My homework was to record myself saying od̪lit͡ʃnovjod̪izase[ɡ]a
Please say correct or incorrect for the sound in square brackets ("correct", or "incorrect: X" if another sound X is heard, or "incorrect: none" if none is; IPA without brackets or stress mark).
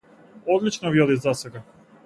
correct